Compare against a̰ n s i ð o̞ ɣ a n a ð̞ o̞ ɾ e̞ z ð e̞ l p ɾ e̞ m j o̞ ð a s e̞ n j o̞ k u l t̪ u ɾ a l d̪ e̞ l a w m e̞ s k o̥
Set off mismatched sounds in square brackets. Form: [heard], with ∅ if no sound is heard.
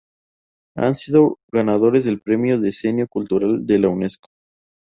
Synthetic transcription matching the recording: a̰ n s i ð o̞ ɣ a n a ð̞ o̞ ɾ e̞ z ð e̞ l p ɾ e̞ m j o̞ ð [e] s e̞ n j o̞ k u l t̪ u ɾ a l d̪ e̞ l a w [n] e̞ s k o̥